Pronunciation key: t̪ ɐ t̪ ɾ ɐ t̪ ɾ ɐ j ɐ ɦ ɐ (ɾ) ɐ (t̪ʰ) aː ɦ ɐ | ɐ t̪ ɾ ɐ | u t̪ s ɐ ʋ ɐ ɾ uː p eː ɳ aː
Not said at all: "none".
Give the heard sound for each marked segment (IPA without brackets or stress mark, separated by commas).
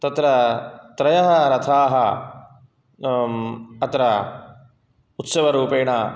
ɾ, t̪ʰ